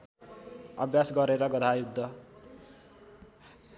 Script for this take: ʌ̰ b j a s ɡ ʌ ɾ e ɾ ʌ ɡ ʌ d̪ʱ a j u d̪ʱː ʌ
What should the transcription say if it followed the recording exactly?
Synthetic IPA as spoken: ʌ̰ b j a s ɡ ʌ ɾ e ɾ ʌ ɡ ʌ d̪ʱ a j u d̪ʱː ʌ